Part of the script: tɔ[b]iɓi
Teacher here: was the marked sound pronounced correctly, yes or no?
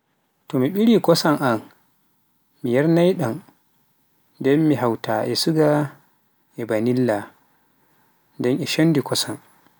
no